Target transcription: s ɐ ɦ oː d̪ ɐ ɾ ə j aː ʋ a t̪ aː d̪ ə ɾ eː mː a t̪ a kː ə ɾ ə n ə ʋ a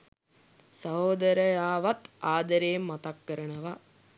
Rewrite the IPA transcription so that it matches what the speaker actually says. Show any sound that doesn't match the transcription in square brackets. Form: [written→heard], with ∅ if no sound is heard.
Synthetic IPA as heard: s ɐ ɦ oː d̪ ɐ ɾ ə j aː ʋ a t̪ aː d̪ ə ɾ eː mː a t̪ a kː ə ɾ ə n ə ʋ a